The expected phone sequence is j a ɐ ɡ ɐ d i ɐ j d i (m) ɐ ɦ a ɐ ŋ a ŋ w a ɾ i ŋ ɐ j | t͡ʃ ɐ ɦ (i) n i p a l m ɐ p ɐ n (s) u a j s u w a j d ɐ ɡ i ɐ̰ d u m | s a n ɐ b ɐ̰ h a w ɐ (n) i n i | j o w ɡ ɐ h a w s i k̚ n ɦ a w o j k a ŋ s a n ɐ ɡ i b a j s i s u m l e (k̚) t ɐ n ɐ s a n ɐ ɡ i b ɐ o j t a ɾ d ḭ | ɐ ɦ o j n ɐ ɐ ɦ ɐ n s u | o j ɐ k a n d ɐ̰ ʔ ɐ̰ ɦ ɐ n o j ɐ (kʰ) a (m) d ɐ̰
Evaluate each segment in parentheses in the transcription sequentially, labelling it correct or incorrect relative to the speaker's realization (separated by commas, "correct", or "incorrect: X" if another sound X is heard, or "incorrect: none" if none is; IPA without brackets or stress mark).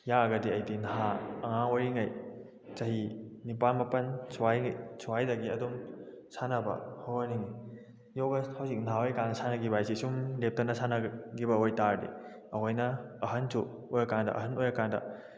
incorrect: n, correct, correct, correct, incorrect: p̚, incorrect: k, incorrect: n